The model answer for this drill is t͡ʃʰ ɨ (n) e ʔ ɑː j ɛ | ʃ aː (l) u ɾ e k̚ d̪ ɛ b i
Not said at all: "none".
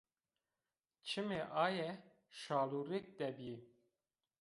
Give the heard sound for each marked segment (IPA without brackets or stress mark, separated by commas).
m, l